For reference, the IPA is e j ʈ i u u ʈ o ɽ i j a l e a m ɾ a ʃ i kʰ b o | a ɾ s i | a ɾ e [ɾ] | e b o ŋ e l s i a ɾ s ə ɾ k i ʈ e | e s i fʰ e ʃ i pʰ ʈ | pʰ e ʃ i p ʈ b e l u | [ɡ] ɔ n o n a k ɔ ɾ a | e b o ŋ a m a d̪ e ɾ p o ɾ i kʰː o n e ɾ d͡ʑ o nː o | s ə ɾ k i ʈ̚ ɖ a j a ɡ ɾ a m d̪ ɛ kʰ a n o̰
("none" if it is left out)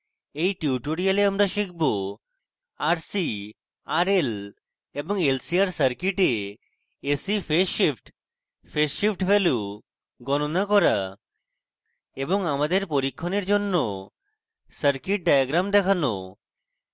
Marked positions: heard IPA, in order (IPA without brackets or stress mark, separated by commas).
l, ɡ